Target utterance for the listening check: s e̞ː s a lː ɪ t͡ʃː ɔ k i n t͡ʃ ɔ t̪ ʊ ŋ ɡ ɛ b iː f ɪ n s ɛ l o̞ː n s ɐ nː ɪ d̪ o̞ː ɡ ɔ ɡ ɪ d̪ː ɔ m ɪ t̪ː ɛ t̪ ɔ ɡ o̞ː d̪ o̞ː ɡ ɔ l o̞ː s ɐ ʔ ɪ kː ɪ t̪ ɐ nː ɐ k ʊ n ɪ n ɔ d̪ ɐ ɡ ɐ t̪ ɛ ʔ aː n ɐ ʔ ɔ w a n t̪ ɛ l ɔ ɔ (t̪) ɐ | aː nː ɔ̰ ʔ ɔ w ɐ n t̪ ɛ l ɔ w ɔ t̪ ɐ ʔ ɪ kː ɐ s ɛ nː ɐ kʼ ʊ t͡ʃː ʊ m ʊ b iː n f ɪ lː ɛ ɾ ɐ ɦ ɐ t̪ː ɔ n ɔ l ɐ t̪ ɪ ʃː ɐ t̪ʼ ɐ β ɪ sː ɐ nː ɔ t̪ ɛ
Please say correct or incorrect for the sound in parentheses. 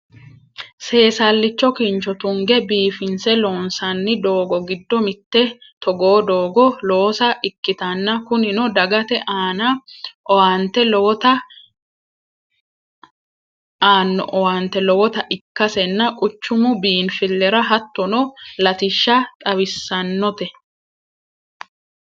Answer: correct